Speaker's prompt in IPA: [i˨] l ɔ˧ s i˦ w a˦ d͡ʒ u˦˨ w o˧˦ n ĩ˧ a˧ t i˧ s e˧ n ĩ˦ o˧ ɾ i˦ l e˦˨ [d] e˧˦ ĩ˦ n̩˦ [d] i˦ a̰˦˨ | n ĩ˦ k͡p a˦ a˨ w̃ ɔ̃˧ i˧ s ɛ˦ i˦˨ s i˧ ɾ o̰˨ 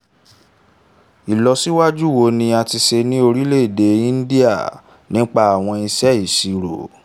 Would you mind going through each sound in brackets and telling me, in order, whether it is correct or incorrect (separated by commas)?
correct, correct, correct